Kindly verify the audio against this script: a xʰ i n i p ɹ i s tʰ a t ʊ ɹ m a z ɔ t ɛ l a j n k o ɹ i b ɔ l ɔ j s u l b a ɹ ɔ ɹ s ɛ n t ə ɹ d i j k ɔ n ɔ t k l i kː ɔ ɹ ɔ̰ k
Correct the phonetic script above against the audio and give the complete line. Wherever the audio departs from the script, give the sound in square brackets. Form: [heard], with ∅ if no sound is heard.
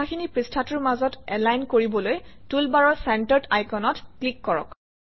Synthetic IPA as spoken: a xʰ i n i p ɹ i s tʰ a t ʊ ɹ m a z ɔ t ɛ l a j n k o ɹ i b ɔ l [o] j [t] u l b a ɹ ɔ ɹ s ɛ n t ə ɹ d [a] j k ɔ n ɔ t k l i kː ɔ ɹ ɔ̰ k